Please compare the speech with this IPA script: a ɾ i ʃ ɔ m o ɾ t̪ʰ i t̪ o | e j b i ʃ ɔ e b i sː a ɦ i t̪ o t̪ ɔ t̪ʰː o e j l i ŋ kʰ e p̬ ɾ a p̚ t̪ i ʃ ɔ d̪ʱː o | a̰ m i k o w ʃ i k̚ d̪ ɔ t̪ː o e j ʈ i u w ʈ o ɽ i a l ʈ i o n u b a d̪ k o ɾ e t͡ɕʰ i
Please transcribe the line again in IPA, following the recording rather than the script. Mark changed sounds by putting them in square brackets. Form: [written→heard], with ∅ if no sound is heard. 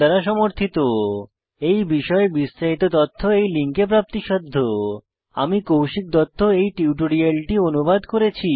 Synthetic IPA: a ɾ [i→a] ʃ ɔ m o ɾ t̪ʰ i t̪ o | e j b i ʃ ɔ e b i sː a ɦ i t̪ o t̪ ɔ t̪ʰː o e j l i ŋ [kʰ→k] e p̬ ɾ a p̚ t̪ i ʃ ɔ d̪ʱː o | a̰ m i k o w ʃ i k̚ d̪ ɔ [t̪ː→t̪ʰː] o e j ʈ i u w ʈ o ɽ i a l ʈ i o n u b a d̪ k o ɾ e t͡ɕʰ i